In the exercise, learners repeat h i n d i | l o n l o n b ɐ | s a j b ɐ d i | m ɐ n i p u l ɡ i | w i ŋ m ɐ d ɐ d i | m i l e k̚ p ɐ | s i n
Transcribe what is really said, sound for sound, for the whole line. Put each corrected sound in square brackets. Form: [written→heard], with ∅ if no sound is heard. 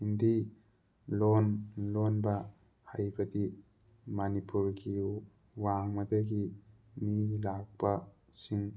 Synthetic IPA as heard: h i n d i | l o n l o n b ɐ | [s→h] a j b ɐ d i | m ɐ n i p u [l→ɾ] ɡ i | w [i→a] ŋ m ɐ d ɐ [d→ɡ] i | m i l [e→a] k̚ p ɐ | s i [n→ŋ]